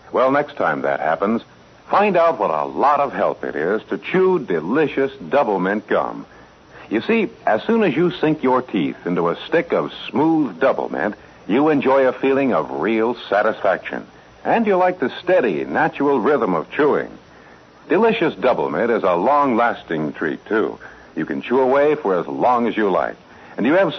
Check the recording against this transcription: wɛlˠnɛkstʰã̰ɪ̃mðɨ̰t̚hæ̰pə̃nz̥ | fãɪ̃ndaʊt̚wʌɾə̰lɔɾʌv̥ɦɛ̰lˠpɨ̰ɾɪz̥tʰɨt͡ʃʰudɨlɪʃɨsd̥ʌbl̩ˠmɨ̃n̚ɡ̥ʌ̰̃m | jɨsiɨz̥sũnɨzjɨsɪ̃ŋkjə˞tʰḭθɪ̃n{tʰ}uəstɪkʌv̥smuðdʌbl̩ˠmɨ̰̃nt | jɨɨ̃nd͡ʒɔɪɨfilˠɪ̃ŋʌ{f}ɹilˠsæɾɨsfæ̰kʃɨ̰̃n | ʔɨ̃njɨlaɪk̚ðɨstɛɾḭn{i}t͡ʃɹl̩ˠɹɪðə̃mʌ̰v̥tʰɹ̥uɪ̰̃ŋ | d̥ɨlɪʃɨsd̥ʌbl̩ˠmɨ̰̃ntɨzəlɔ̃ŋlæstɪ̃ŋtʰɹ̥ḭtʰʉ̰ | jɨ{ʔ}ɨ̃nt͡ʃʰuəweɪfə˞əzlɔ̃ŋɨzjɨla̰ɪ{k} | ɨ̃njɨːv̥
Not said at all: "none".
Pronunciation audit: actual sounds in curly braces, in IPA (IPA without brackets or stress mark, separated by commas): t, v, æ, k, k